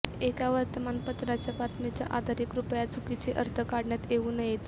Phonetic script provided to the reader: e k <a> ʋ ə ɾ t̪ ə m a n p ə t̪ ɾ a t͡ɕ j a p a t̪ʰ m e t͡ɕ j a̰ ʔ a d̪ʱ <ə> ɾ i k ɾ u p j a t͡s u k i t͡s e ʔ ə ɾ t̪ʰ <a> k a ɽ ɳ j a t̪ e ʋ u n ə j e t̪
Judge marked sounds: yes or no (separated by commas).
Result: yes, no, no